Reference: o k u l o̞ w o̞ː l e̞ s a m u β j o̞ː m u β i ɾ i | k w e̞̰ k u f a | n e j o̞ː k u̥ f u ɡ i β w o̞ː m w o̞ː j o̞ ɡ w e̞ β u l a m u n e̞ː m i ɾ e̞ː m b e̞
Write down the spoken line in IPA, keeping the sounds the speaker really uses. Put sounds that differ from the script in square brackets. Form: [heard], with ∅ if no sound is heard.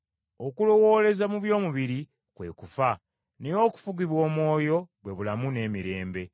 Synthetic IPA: o k u l o̞ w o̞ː l e̞ [z] a m u β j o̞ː m u β i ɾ i | k w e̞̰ k u f a | n e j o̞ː k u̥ f u ɡ i β w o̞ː m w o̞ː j o̞ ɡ w e̞ β u l a m u n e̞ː m i ɾ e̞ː m b e̞

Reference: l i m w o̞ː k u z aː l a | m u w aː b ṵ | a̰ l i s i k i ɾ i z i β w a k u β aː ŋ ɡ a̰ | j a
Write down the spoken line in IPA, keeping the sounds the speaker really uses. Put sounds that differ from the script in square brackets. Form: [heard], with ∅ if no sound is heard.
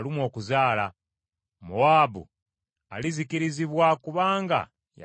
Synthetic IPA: l i m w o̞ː k u z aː l a | m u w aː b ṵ | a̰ l i [z] i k i ɾ i z i β w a k u β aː ŋ ɡ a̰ | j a

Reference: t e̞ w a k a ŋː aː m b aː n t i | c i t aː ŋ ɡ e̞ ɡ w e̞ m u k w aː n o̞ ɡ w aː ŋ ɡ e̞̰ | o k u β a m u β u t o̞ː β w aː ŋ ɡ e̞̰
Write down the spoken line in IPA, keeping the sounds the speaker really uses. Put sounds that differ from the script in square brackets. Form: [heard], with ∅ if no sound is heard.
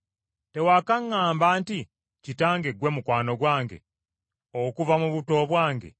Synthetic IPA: t e̞ w a k a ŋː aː m b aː n t i | c i t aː ŋ ɡ e̞ ɡ w e̞ m u k w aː n o̞ ɡ w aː ŋ ɡ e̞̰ | o k u [v] a m u β u t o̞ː β w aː ŋ ɡ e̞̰

